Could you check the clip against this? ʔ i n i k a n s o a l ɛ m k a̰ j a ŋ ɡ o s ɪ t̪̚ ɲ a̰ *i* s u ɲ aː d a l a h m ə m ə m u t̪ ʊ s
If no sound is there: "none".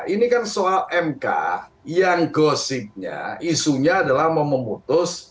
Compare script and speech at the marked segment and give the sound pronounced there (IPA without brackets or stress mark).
i